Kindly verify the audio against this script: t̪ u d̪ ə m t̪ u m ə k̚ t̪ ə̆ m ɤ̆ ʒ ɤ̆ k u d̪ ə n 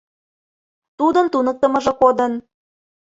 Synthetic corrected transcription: t̪ u d̪ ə n t̪ u n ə k̚ t̪ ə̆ m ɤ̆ ʒ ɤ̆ k o d̪ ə n